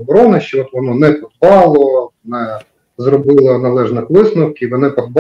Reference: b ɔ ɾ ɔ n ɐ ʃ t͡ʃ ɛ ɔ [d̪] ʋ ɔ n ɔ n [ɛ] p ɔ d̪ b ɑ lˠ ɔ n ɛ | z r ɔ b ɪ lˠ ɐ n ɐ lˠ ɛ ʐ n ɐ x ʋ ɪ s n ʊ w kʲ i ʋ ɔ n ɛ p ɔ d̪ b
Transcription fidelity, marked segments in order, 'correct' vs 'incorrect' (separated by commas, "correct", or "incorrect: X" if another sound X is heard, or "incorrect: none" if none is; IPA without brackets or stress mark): incorrect: t̪, correct